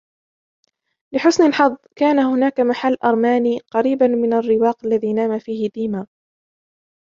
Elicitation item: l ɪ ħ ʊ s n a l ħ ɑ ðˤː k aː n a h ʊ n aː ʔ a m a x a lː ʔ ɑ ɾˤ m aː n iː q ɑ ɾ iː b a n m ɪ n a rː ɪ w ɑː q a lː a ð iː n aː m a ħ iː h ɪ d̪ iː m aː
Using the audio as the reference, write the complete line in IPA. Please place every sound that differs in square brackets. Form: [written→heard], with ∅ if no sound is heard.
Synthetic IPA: l ɪ ħ ʊ s n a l ħ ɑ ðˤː k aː n a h ʊ n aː [ʔ→k] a m a [x→ħ] a lː ʔ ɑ ɾˤ m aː n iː q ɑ ɾ iː b a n m ɪ n a rː ɪ w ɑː q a lː a ð iː n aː m a [ħ→f] iː h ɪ d̪ iː m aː